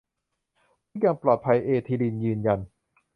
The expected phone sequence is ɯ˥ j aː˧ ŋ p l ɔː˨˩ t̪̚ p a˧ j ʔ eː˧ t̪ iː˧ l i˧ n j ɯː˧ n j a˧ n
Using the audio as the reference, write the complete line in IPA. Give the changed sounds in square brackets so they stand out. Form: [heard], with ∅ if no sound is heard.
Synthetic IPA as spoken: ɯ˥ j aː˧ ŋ p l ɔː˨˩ t̪̚ [pʰ] a˧ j ʔ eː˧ [t̪ʰ] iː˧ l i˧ n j ɯː˧ n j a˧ n